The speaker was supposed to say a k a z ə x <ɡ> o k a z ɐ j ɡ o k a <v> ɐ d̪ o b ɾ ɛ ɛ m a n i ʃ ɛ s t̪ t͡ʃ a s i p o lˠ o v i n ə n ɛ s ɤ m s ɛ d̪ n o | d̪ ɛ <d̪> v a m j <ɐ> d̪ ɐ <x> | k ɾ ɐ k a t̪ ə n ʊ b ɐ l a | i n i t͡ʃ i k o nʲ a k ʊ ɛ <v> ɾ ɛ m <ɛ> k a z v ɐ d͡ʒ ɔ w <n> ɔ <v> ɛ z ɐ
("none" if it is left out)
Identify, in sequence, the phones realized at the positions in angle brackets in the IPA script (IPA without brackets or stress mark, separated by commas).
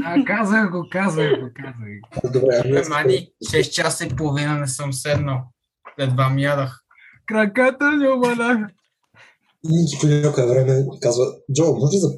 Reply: ɡ, z, d̪, a, x, v, ɛ, m, ʒ